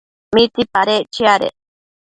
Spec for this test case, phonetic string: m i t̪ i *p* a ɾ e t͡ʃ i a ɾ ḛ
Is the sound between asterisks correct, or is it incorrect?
correct